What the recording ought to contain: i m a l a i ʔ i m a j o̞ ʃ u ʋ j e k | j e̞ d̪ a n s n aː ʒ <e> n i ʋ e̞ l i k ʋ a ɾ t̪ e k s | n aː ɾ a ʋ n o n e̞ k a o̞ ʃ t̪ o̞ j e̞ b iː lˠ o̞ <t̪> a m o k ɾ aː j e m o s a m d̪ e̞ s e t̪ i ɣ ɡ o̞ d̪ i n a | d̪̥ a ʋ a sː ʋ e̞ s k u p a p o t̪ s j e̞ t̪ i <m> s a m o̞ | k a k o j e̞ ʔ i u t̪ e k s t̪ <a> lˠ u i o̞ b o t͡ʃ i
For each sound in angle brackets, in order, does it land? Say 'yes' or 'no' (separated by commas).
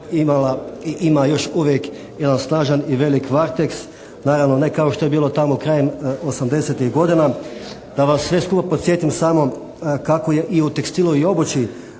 no, yes, yes, no